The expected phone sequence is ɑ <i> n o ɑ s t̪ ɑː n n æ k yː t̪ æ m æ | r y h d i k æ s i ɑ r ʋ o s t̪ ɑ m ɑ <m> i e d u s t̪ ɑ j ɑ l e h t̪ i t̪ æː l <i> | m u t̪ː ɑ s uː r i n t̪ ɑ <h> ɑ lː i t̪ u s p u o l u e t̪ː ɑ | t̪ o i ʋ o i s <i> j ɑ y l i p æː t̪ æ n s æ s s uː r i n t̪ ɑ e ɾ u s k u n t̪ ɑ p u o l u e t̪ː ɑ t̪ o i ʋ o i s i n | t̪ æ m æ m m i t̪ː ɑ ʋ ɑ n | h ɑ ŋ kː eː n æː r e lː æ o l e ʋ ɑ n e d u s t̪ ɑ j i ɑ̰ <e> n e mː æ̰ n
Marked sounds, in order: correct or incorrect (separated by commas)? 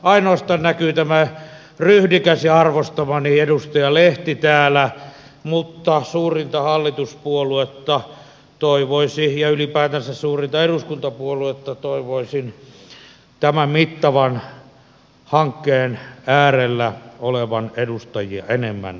correct, incorrect, incorrect, correct, correct, correct